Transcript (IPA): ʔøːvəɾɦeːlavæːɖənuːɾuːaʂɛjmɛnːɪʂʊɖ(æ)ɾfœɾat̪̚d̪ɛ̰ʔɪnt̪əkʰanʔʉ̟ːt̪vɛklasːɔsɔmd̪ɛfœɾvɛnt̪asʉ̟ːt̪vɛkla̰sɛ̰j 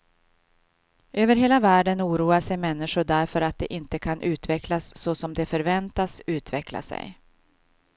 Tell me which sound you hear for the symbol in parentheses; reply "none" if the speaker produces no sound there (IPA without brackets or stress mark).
æ